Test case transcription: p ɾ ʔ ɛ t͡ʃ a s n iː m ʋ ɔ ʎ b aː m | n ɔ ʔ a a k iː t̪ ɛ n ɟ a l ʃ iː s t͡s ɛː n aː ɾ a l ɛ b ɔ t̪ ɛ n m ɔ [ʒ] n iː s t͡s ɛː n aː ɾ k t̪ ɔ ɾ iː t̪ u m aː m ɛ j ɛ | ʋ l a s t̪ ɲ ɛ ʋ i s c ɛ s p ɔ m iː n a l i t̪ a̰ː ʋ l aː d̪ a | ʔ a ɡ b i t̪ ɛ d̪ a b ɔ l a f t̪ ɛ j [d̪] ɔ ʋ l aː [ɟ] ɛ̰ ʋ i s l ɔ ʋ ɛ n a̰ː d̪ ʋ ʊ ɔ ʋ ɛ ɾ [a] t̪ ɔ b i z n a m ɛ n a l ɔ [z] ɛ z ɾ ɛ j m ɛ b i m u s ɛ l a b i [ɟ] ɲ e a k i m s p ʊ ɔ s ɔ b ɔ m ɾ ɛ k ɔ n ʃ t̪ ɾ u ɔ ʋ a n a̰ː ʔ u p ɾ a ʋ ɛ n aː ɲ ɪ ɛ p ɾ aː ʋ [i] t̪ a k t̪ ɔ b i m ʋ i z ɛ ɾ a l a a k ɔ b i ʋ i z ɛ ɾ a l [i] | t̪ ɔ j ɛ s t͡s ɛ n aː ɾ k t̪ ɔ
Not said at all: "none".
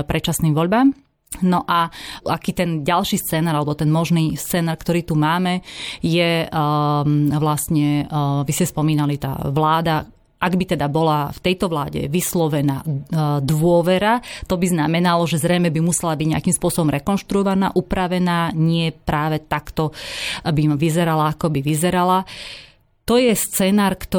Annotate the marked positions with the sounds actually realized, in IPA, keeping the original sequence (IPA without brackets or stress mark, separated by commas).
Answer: ʒ, t̪, ɟ, a, ʒ, ɟ, ɛ, a